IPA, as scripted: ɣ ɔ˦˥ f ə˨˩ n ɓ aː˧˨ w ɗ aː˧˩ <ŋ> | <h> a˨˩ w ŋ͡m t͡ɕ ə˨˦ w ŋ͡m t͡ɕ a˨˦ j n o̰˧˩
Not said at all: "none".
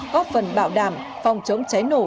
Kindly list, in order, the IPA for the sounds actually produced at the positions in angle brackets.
m, f

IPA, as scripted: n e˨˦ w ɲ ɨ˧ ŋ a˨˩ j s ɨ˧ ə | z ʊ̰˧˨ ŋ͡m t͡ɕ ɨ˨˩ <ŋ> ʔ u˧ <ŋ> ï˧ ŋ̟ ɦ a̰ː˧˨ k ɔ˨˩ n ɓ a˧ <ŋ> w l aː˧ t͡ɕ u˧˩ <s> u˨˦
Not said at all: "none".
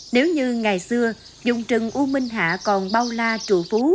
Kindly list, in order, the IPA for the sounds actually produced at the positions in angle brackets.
ŋ, m, none, f

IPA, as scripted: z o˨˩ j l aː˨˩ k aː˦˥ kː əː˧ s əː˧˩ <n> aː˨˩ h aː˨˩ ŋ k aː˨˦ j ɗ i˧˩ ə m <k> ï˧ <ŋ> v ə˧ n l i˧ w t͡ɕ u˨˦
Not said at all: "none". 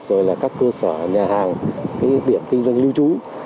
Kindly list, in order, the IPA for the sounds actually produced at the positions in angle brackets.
ɲ, k, ŋ

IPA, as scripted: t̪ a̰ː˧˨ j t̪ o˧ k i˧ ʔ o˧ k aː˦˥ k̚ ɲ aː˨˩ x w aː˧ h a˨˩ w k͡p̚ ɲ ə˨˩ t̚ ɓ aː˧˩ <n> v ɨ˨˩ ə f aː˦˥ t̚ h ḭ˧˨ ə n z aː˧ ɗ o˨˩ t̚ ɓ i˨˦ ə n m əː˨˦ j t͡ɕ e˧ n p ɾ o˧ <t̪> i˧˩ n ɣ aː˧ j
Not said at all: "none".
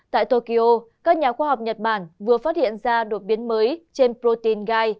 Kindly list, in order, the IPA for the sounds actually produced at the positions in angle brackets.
n, t̪

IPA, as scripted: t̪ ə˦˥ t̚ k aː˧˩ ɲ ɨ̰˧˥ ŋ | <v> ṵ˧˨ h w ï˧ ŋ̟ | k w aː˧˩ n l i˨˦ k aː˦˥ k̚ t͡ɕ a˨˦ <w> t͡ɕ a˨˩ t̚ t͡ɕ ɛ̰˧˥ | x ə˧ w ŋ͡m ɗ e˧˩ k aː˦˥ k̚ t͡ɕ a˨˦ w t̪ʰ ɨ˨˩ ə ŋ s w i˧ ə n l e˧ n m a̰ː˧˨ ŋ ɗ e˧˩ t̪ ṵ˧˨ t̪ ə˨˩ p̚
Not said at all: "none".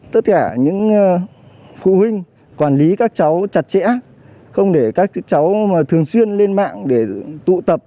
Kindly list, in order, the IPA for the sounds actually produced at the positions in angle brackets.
f, w

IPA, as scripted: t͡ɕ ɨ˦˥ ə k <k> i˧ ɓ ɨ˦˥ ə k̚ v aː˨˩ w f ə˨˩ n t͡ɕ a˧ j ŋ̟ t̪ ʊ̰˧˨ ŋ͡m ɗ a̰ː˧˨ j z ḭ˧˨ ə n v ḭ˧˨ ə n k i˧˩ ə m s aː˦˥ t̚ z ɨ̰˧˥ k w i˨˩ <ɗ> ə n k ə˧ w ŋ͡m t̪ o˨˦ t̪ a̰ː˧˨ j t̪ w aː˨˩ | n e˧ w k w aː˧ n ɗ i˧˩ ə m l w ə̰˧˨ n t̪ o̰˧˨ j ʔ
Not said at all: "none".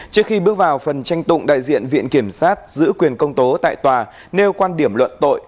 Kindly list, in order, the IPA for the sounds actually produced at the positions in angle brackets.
x, none

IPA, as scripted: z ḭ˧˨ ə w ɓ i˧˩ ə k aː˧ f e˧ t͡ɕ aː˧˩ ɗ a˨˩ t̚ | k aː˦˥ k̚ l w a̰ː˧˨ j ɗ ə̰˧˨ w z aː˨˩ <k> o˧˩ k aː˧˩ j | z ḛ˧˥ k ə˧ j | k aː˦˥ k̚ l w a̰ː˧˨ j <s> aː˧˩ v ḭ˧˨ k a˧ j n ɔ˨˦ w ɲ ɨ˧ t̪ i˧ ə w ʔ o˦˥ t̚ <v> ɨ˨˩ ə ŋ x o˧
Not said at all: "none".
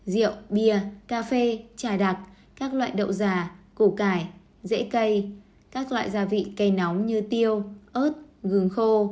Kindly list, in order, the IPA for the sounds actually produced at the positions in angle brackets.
k, z, ɣ

